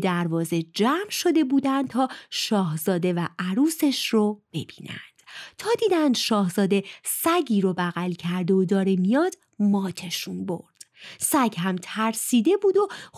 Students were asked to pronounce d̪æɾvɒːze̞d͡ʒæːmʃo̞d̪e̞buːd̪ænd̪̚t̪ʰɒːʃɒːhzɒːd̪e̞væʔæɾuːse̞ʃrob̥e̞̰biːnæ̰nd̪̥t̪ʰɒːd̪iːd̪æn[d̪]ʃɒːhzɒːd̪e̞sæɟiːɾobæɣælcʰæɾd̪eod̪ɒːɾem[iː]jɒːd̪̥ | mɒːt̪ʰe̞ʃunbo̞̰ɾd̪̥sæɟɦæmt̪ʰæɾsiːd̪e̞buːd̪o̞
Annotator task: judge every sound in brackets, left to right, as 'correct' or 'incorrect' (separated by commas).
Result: correct, incorrect